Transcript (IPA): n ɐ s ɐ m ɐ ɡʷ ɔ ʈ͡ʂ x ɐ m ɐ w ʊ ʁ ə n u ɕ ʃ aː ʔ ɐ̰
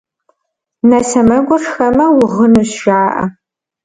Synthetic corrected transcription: n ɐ s ɐ m ɐ ɡʷ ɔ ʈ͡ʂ x ɐ m ɐ w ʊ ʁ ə n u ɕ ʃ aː ʔ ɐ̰